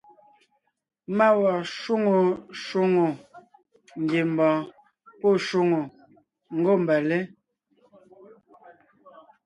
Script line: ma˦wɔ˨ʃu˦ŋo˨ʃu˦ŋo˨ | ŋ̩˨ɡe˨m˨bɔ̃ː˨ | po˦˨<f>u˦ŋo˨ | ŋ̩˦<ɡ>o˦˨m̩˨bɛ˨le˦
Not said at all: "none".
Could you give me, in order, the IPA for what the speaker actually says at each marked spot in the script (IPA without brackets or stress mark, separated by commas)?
ʃ, ɡ